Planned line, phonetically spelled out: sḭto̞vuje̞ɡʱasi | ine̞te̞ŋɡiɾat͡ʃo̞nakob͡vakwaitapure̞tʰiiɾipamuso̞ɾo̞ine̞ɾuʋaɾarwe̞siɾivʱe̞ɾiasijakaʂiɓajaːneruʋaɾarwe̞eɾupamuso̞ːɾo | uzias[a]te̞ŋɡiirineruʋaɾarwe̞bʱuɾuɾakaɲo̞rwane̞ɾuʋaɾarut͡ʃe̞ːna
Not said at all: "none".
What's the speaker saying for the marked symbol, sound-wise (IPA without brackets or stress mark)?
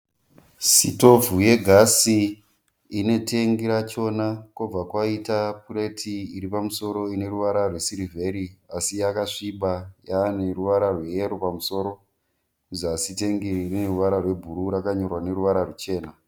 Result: i